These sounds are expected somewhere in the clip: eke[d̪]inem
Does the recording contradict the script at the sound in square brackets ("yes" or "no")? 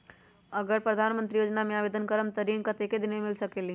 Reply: no